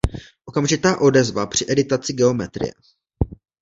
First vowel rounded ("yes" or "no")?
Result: yes